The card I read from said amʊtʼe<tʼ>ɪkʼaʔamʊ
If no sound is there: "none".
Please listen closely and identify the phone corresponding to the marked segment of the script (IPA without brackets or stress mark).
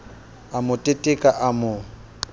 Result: tʼ